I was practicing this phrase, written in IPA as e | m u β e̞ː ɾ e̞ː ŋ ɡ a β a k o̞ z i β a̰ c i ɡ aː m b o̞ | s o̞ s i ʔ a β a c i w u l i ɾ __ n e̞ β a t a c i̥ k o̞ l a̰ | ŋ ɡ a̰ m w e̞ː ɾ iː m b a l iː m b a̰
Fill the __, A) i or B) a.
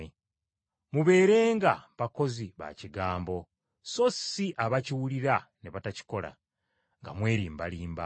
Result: B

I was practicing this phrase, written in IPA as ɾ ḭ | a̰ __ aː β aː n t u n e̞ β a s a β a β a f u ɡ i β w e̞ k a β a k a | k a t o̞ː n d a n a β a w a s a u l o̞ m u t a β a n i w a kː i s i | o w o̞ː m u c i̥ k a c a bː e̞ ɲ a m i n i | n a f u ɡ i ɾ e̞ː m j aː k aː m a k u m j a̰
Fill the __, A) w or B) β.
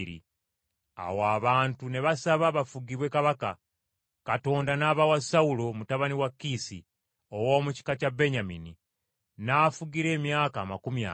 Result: A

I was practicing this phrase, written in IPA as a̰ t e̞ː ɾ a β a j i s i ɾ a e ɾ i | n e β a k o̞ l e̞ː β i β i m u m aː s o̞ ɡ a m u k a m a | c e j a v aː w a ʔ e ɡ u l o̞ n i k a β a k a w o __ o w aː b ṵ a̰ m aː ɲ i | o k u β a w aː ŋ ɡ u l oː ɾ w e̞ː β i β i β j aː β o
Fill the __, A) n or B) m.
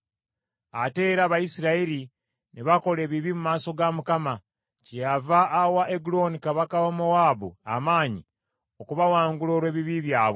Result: B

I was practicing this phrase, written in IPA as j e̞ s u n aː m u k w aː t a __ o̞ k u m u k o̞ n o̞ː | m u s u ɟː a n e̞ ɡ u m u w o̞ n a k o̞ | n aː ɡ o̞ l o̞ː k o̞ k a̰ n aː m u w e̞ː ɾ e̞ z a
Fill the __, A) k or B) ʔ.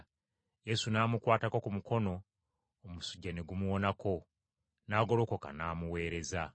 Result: A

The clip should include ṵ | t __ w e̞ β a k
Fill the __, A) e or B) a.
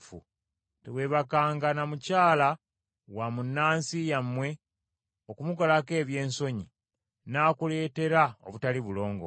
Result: A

